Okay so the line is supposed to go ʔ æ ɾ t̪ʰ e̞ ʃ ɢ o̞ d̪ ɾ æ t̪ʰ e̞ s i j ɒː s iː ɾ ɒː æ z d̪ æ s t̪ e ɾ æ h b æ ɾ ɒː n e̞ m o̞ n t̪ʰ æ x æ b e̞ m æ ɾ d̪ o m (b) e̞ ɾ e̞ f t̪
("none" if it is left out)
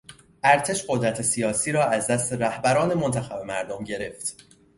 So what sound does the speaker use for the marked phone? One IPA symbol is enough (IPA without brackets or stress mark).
ɟ